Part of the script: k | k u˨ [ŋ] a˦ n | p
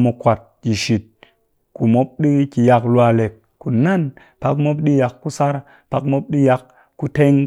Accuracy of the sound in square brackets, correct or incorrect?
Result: incorrect